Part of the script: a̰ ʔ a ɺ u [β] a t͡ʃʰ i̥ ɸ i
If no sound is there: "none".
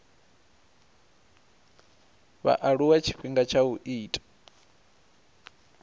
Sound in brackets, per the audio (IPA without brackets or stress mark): w